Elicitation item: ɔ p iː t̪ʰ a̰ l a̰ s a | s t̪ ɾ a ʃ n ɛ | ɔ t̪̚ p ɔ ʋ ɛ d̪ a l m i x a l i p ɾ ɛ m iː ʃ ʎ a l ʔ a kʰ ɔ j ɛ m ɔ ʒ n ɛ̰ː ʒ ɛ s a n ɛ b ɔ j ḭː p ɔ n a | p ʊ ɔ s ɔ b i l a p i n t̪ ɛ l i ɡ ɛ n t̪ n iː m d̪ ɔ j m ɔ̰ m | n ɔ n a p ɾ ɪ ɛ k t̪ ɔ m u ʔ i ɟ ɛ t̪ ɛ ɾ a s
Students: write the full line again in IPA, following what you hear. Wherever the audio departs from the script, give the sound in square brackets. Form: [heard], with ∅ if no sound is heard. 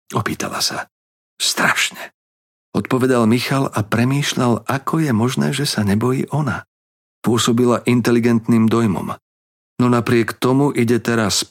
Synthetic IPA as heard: ɔ p iː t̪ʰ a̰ l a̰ s a | s t̪ ɾ a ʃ [ɲ] ɛ | ɔ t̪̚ p ɔ ʋ ɛ d̪ a l m i x a l [a] p ɾ ɛ m iː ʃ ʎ a l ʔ a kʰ ɔ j ɛ m ɔ ʒ n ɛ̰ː ʒ ɛ s a [ɲ] ɛ b ɔ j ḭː [ʔ] ɔ n a | p ʊ ɔ s ɔ b i l a [ʔ] i n t̪ ɛ l i ɡ ɛ n t̪ n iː m d̪ ɔ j m ɔ̰ m | n ɔ n a p ɾ ɪ ɛ k t̪ ɔ m u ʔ i ɟ ɛ t̪ ɛ ɾ a s